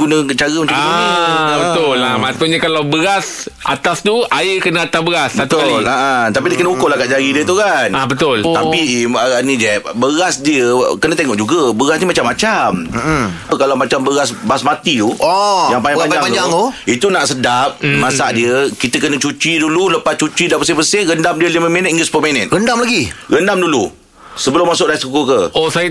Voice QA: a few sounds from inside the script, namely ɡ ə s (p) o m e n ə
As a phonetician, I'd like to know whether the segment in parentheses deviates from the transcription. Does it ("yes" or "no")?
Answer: no